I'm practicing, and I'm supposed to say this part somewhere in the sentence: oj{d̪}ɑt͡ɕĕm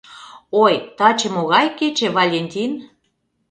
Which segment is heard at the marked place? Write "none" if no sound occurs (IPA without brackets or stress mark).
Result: t̪